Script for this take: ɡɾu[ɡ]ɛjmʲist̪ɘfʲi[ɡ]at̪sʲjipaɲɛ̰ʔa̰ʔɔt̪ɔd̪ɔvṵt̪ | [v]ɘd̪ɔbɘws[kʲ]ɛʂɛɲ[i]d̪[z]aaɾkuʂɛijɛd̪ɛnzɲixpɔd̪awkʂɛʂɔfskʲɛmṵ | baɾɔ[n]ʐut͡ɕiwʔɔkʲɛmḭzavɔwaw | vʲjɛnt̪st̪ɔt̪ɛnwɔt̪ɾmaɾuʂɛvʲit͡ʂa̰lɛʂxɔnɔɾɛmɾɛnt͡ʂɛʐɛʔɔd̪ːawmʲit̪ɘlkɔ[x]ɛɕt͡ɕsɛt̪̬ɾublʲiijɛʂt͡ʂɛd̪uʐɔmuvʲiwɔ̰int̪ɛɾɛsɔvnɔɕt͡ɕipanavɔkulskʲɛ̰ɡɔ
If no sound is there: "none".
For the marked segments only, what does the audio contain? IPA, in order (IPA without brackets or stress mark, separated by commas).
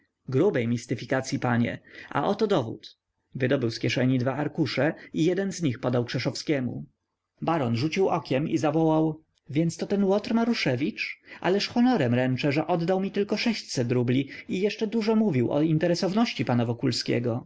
b, k, v, kʲ, i, v, n, ʂ